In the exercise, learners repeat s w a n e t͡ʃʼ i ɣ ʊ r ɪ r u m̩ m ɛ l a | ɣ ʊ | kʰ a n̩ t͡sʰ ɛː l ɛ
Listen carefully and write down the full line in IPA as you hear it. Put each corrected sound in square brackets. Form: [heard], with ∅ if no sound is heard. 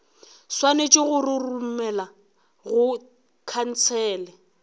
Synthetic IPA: s w a n e t͡ʃʼ [ɪ] ɣ ʊ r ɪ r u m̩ m ɛ l a | ɣ ʊ | kʰ a n̩ t͡sʰ ɛː l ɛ